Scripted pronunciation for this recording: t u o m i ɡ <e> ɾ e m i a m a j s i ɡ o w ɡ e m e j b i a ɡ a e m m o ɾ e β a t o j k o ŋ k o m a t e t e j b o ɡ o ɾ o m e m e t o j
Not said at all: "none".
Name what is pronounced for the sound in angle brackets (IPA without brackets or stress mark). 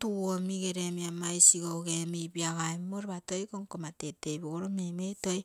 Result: e